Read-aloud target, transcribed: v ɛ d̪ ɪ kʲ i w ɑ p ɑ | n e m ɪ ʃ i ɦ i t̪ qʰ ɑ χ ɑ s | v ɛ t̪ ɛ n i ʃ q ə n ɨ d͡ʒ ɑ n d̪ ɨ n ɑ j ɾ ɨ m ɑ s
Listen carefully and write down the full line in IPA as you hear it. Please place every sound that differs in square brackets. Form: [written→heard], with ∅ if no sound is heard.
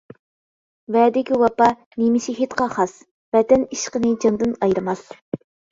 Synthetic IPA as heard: v ɛ d̪ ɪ kʲ i w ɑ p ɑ | n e m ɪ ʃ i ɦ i t̪ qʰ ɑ χ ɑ s | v ɛ t̪ ɛ n i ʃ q ə n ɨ d͡ʒ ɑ n d̪ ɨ n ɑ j ɾ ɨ m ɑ s

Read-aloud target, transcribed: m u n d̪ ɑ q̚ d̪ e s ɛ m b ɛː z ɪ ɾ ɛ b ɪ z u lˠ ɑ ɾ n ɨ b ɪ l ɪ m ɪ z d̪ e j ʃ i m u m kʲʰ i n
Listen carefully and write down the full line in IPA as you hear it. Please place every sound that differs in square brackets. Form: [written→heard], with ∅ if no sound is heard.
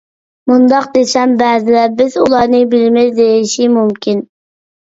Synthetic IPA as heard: m u n d̪ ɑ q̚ d̪ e s ɛ m b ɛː z ɪ [ɾ→l] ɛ b ɪ z u lˠ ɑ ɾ n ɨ b ɪ l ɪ m ɪ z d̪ e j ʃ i m u m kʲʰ i n

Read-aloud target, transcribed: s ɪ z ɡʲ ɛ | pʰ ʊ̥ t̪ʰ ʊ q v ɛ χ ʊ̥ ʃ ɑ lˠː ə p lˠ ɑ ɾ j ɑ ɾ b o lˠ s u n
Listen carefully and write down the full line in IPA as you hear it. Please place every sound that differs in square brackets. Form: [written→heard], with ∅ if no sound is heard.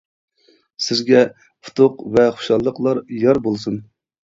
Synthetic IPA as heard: s ɪ z ɡʲ ɛ | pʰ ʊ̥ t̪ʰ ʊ q v ɛ χ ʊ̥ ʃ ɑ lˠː ə [p→q] lˠ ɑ ɾ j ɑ ɾ b o lˠ s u n

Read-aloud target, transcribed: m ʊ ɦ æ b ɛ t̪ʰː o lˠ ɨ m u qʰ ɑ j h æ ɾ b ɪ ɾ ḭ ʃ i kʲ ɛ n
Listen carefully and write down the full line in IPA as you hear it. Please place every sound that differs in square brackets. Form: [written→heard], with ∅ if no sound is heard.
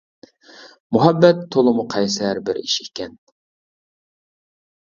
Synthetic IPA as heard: m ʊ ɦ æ [b→bː] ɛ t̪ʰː o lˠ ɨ m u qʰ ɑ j [h→s] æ ɾ b ɪ ɾ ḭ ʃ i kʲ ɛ n

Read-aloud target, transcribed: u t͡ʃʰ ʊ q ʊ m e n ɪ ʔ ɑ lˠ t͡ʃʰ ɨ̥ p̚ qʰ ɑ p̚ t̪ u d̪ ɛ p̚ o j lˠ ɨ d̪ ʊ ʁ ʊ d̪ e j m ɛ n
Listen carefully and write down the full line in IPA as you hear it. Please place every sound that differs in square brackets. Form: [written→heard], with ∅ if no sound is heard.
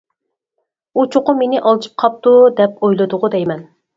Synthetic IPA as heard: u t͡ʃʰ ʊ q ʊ m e n ɪ ʔ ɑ lˠ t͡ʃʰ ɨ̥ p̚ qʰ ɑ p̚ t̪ u d̪ ɛ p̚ o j lˠ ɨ d̪ ʊ ʁ ʊ d̪ [e→ɛ] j m ɛ n

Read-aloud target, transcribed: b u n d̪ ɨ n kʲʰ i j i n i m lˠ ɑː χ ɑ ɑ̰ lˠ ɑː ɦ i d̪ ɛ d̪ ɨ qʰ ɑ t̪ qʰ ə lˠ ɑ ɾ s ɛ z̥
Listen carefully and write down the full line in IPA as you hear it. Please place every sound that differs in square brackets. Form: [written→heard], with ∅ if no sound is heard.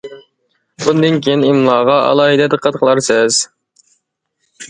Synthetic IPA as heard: b u n d̪ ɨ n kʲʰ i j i n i m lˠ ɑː [χ→ʁ] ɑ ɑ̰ lˠ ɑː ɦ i d̪ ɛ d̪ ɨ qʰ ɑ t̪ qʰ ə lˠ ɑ ɾ s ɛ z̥

